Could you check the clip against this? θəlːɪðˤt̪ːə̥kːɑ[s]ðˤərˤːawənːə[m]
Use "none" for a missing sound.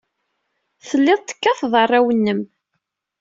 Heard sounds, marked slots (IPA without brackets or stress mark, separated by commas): θ, m